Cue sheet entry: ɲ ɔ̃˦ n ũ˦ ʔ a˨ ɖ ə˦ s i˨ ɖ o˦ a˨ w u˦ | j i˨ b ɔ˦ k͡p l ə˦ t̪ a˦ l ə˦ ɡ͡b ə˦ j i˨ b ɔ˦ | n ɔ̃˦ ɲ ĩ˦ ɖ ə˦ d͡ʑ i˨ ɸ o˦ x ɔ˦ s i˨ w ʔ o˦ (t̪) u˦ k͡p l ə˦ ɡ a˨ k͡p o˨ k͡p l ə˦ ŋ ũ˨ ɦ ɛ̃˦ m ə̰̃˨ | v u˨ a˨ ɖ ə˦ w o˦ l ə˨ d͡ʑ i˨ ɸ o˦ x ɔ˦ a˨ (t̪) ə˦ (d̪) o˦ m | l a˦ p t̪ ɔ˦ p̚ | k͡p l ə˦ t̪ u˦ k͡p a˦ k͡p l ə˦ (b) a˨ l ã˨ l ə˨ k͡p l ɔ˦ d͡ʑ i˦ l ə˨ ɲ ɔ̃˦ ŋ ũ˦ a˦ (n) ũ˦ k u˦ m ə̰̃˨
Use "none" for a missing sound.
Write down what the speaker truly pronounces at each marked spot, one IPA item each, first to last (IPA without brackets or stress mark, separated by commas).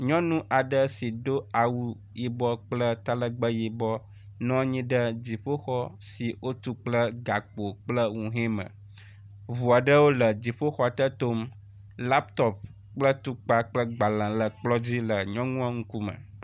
t̪, t̪, t̪, ɡ͡b, ŋ